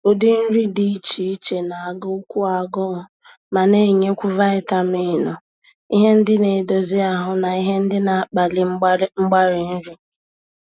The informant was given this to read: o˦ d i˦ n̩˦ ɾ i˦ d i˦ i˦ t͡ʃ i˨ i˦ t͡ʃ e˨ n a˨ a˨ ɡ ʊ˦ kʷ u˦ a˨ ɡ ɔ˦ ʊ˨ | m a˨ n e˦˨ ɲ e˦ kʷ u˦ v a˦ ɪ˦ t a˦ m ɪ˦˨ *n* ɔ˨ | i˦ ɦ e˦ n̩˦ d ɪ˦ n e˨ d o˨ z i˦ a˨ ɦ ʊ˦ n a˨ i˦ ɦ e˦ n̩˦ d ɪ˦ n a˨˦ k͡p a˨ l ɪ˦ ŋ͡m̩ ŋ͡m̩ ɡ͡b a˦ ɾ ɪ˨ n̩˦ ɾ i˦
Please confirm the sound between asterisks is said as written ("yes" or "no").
yes